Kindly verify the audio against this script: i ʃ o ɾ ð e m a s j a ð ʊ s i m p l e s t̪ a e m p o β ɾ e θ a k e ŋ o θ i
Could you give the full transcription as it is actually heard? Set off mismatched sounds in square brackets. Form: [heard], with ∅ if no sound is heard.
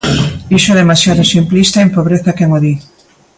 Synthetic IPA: i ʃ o [∅] ð e m a s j a ð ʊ s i m p l [i] s t̪ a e m p o β ɾ e θ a k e ŋ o [ð] i